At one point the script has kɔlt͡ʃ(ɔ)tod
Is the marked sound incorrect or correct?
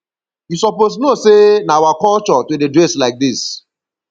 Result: correct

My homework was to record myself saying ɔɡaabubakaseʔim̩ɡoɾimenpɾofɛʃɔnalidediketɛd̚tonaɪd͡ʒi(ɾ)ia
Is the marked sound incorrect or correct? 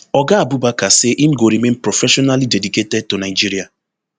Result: correct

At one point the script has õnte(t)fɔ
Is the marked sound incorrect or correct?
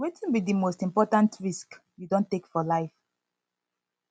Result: incorrect: k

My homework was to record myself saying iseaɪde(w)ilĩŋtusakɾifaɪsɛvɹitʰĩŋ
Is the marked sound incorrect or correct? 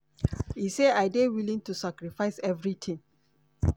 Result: correct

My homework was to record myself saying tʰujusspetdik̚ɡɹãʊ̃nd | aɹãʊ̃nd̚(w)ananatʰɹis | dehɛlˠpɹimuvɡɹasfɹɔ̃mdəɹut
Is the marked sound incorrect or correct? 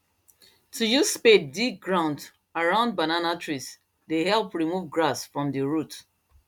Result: incorrect: b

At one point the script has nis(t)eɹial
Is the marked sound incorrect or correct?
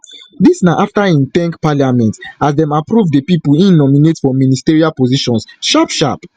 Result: correct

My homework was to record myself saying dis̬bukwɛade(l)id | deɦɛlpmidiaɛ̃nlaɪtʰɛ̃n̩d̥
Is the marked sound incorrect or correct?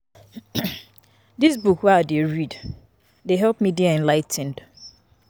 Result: incorrect: ɹ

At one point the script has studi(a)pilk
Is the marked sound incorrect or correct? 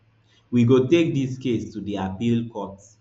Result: correct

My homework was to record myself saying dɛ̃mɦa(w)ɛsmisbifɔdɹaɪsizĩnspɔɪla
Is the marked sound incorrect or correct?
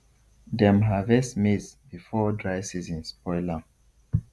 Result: incorrect: v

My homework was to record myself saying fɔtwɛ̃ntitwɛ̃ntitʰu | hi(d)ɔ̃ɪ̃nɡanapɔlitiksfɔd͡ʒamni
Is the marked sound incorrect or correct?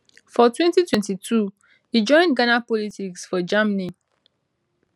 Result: incorrect: d͡ʒ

